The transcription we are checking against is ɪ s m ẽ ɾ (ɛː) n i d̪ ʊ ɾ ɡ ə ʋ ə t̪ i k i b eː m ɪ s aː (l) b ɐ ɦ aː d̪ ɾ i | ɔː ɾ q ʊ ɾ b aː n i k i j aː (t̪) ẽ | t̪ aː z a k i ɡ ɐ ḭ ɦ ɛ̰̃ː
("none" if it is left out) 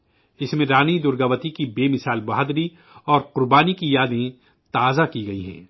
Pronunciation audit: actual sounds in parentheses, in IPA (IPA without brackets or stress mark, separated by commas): aː, l, d̪